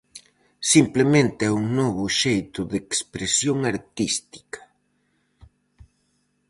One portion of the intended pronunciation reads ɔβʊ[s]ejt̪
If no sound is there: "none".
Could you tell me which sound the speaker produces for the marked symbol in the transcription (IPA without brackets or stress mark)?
ʃ